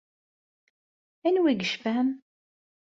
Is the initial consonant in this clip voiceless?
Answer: no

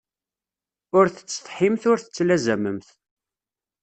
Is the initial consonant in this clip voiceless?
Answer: no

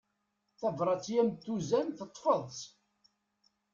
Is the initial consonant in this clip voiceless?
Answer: yes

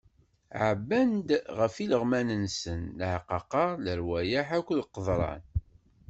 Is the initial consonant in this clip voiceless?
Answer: no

